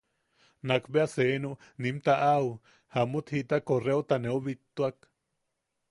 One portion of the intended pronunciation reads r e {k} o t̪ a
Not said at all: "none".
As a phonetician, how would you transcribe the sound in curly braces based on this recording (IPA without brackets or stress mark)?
none